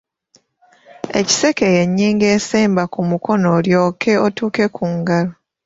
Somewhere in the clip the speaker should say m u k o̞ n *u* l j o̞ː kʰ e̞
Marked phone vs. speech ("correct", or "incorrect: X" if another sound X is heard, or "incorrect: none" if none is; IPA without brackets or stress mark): incorrect: o